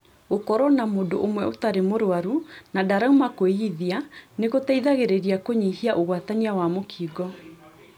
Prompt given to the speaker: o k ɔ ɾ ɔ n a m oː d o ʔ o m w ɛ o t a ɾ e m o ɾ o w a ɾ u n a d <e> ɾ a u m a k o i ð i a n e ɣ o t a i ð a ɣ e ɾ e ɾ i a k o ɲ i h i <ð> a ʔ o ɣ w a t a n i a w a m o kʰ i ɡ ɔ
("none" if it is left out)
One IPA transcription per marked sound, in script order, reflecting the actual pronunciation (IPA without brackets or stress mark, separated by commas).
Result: a, none